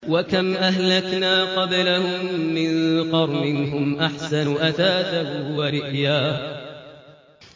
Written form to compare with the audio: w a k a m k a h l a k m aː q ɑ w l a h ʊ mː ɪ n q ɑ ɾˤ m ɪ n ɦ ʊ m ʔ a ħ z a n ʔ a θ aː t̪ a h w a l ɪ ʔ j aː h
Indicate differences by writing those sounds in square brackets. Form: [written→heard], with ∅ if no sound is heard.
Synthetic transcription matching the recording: w a k a m [k→ʔ] a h l a k [m→n] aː q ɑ [w→b] l a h ʊ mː ɪ n q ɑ ɾˤ m ɪ n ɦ ʊ m ʔ a ħ [z→s] a n ʔ a θ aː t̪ a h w a [l→ɾ] ɪ ʔ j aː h